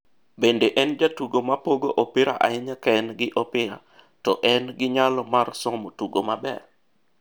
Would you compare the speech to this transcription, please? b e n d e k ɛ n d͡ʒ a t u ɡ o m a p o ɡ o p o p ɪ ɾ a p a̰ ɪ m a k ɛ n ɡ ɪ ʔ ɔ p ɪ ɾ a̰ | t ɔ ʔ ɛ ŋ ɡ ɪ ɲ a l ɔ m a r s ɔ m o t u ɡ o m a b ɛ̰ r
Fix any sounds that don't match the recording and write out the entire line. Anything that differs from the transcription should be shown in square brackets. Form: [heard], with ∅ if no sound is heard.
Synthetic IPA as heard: b e n d e [ʔ] ɛ n d͡ʒ a t u ɡ o m a p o ɡ o [ʔ] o p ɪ ɾ a [ʔ] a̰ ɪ [ɲ] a k ɛ n ɡ ɪ ʔ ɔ p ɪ ɾ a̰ | t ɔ ʔ ɛ [n] ɡ ɪ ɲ a l ɔ m a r s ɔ m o t u ɡ o m a b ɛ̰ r